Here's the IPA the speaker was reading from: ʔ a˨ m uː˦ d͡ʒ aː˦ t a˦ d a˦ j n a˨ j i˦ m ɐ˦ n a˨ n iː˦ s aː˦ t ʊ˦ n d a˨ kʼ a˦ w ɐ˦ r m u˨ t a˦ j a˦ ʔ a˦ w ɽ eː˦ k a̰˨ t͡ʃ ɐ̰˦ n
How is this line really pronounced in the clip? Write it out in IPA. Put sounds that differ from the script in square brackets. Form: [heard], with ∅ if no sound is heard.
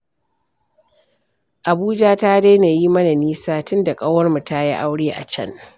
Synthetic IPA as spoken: ʔ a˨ [b] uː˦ d͡ʒ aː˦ t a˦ d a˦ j n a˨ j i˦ m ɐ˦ n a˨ n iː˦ s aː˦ t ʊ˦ n d a˨ kʼ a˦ w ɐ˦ r m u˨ t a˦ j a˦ ʔ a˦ w ɽ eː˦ [ʔ] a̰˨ t͡ʃ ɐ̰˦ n